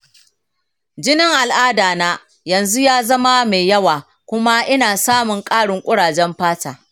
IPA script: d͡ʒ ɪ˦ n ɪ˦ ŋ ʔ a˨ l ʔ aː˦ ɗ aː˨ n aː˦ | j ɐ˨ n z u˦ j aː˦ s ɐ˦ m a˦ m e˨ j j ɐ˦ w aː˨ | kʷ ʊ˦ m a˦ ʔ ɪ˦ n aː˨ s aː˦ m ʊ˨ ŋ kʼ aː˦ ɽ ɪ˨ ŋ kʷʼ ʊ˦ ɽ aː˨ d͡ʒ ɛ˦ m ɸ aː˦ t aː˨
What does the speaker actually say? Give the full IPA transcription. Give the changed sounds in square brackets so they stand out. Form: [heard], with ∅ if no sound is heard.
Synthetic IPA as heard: d͡ʒ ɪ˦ n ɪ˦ ŋ ʔ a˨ l ʔ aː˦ [d] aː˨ n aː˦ | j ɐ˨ n z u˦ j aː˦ [z] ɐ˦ m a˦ m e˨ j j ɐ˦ w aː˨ | kʷ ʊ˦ m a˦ ʔ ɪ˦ n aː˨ s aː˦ m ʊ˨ ŋ kʼ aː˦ ɽ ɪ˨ ŋ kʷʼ ʊ˦ ɽ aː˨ d͡ʒ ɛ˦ m ɸ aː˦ t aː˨